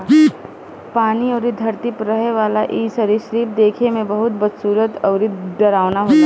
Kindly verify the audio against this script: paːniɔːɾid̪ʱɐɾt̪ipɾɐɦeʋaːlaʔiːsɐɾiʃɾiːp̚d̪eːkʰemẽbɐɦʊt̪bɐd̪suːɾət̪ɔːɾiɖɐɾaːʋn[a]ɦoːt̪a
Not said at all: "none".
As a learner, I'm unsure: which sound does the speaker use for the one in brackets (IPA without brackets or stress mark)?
a